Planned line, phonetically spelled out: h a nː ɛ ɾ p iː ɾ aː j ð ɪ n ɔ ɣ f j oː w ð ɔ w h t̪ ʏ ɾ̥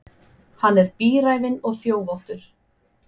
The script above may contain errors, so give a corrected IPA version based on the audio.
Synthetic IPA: h a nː ɛ ɾ p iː ɾ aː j v ɪ n ɔ ɣ θ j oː w v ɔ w h t̪ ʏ ɾ̥

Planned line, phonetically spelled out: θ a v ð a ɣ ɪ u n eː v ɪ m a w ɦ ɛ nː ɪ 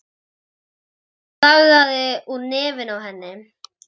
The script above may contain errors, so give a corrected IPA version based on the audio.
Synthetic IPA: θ a ɣ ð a ð ɪ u n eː v ɪ n a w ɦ ɛ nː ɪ

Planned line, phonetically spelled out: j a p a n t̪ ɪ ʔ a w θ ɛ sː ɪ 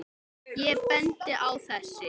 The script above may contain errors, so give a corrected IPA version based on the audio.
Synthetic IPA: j ɛ p ɛ n t̪ ɪ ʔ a w θ ɛ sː ɪ

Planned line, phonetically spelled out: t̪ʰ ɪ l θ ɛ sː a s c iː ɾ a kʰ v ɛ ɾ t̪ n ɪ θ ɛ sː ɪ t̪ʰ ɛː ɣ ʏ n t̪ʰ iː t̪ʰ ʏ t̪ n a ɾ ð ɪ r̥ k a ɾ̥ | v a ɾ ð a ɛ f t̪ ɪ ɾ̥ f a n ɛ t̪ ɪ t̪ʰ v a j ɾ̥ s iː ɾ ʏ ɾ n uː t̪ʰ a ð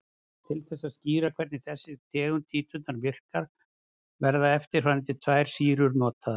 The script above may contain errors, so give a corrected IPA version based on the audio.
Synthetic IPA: t̪ʰ ɪ l θ ɛ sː a s c iː ɾ a kʰ v ɛ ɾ t̪ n ɪ θ ɛ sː ɪ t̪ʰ ɛː ɣ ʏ n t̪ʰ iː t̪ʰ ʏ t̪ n a ɾ v ɪ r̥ k a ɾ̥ | v ɛ ɾ ð a ɛ f t̪ ɪ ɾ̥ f a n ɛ t̪ ɪ t̪ʰ v a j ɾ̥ s iː ɾ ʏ ɾ n ɔː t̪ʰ a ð

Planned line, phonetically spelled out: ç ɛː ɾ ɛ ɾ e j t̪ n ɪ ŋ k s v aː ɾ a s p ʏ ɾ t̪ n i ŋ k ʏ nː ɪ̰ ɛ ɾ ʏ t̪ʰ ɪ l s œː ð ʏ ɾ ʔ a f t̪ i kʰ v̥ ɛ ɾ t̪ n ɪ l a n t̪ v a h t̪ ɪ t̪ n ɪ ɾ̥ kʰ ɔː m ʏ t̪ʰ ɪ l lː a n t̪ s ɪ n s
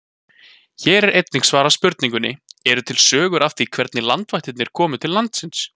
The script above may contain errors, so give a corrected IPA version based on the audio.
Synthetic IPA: ç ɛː ɾ ɛ ɾ e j t̪ n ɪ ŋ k s v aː ɾ a s p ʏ ɾ t̪ n i ŋ k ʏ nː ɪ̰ ɛ ɾ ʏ t̪ʰ ɪ l s œː ɣ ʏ ɾ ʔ a f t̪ i kʰ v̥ ɛ ɾ t̪ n ɪ l a n t̪ v a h t̪ ɪ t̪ n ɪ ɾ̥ kʰ ɔː m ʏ t̪ʰ ɪ l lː a n t̪ s ɪ n s

